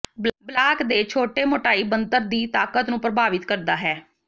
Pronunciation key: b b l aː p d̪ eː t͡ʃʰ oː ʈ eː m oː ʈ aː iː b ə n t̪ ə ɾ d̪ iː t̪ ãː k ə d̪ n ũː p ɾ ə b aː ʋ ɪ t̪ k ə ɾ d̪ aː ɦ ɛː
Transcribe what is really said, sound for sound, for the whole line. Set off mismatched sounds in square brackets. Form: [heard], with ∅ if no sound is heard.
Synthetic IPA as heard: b b l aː [k] d̪ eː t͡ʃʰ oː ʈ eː m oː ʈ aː iː b ə n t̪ ə ɾ d̪ iː t̪ [aː] k ə [t̪] n ũː p ɾ ə b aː ʋ ɪ t̪ k ə ɾ d̪ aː ɦ ɛː